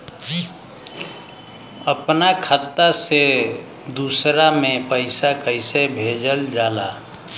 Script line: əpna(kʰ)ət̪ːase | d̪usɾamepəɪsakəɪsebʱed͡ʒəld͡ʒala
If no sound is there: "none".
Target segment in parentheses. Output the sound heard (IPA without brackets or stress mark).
kʰ